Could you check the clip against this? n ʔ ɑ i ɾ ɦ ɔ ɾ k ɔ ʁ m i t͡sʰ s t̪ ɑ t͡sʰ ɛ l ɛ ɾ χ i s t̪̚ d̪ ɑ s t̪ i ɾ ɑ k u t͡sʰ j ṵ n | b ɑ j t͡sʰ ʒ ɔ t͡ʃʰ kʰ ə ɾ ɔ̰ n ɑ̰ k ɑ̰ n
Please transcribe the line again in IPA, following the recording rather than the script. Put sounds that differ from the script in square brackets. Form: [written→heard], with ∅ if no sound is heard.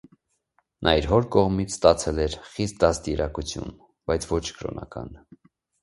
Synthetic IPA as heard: n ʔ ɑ i ɾ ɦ ɔ ɾ k ɔ ʁ m i t͡sʰ s t̪ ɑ t͡sʰ ɛ l ɛ ɾ χ i s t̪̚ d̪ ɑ s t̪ i ɾ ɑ k u t͡sʰ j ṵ n | b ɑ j t͡sʰ [ʒ→v] ɔ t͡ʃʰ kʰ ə ɾ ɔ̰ n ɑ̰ k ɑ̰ n